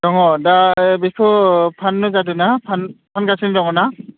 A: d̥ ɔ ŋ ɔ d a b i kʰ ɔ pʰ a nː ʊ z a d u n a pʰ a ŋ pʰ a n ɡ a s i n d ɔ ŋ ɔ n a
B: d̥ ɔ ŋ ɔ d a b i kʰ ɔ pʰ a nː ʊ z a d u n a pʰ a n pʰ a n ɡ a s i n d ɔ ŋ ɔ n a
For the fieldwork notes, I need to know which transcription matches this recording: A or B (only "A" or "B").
B